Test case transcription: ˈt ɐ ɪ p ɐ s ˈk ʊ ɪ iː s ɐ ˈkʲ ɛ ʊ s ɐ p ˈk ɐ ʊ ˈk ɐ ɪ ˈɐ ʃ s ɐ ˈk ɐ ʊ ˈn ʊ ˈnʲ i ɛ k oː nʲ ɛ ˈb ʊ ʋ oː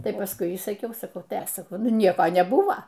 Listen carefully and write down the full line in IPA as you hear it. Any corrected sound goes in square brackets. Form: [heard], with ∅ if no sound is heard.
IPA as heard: ˈt ɐ ɪ p ɐ s ˈk ʊ ɪ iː s ɐ ˈkʲ ɛ ʊ s ɐ [∅] ˈk ɐ ʊ [ˈt] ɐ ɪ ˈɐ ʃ s ɐ ˈk ɐ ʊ ˈn ʊ ˈnʲ i ɛ k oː nʲ ɛ ˈb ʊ ʋ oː